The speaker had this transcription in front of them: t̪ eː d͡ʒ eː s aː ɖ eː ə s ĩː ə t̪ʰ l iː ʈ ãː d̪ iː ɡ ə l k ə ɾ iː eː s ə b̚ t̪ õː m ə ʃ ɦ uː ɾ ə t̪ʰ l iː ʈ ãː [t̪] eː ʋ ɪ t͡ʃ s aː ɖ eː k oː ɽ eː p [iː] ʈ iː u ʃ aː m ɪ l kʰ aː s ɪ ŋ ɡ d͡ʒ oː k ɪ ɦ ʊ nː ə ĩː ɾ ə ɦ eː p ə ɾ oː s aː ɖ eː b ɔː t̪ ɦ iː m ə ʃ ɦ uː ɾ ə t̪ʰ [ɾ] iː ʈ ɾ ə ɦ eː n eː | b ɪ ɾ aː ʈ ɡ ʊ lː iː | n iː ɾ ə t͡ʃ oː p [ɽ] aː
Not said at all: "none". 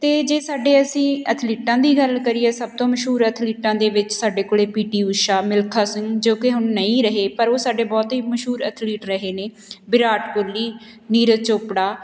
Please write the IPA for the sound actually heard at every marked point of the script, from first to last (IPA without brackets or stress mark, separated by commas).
d̪, iː, l, ɽ